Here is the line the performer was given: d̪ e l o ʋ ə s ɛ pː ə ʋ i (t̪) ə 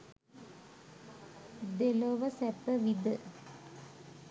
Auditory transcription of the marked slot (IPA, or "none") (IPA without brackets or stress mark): d̪